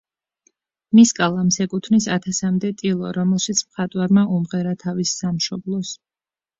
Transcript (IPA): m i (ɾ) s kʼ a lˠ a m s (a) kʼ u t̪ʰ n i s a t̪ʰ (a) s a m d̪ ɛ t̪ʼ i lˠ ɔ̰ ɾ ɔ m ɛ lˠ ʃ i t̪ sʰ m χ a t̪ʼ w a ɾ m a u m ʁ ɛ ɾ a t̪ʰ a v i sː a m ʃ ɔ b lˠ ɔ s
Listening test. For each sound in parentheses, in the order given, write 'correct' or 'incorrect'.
incorrect, incorrect, correct

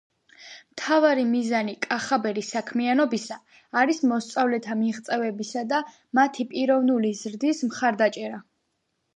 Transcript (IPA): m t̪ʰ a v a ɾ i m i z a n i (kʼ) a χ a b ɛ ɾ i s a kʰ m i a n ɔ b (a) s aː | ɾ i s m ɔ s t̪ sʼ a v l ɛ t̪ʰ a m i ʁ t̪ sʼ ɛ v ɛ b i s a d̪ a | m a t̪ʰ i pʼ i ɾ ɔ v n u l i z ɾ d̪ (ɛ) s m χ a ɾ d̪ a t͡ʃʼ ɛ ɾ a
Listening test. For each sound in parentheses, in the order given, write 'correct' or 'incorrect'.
correct, incorrect, incorrect

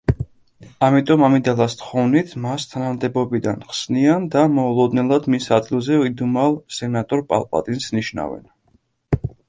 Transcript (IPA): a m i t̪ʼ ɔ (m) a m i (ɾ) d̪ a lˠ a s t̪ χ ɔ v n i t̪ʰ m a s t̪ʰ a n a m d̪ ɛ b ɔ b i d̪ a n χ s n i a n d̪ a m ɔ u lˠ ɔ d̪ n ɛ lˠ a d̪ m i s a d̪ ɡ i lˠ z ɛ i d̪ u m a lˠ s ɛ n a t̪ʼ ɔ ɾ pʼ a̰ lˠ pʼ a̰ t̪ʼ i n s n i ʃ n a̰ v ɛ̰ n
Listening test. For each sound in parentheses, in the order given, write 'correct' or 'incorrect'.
correct, incorrect

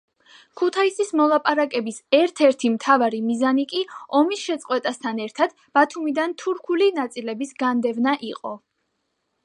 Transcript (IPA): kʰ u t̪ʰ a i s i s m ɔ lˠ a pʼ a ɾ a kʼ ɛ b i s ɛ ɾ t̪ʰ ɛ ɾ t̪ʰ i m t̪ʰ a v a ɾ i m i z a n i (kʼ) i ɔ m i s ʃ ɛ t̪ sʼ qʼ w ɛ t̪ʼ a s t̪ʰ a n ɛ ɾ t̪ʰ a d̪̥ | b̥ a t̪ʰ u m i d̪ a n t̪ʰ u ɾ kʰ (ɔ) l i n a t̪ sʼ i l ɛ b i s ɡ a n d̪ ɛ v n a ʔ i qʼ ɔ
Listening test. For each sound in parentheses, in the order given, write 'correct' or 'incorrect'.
correct, incorrect

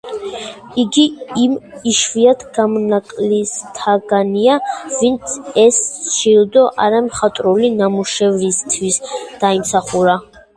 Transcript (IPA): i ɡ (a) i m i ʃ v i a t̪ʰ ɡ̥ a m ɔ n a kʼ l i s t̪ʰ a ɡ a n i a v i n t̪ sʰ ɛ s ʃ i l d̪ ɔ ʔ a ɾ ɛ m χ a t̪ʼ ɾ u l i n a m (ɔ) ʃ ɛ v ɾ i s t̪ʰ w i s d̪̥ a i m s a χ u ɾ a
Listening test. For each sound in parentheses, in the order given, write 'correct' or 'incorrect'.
incorrect, incorrect

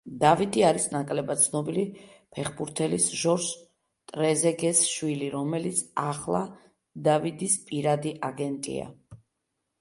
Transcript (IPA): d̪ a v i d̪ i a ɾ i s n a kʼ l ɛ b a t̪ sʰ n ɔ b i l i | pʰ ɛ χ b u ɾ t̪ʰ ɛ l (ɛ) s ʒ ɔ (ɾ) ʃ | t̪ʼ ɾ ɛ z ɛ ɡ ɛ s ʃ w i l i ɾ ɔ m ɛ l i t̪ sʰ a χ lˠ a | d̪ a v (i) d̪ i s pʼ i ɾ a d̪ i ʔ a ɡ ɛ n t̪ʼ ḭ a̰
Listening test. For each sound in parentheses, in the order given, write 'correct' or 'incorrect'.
incorrect, correct, correct

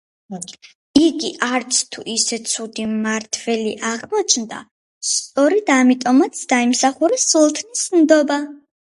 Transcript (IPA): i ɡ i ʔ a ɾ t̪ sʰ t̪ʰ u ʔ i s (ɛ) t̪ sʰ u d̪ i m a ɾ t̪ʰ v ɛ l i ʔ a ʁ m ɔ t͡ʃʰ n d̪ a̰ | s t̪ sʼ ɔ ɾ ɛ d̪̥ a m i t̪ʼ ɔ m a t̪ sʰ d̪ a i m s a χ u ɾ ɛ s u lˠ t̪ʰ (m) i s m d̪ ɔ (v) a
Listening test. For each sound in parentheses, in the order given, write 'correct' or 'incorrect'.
correct, incorrect, incorrect

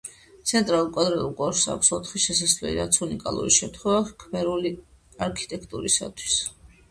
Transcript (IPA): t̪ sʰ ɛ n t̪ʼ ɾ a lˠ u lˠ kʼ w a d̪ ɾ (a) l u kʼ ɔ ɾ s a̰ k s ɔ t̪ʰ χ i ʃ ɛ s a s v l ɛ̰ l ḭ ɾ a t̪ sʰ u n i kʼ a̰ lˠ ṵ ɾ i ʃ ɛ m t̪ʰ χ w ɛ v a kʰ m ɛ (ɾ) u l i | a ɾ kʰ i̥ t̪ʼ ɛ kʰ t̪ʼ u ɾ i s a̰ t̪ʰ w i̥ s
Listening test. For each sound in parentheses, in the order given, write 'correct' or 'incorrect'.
incorrect, correct

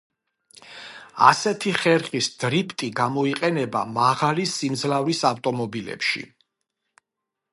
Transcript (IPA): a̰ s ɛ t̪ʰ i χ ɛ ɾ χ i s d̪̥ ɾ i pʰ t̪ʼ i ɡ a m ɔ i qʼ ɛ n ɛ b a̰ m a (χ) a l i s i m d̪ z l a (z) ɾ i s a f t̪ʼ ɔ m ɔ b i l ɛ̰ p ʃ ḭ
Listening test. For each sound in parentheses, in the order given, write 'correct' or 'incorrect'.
incorrect, incorrect

